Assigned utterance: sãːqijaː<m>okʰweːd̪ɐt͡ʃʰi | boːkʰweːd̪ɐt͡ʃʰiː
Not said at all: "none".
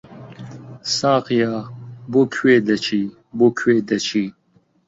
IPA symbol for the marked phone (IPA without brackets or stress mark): b